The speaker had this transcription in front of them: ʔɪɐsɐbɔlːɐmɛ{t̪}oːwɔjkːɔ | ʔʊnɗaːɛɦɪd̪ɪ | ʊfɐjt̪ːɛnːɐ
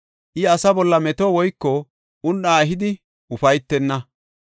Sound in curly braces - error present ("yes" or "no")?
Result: no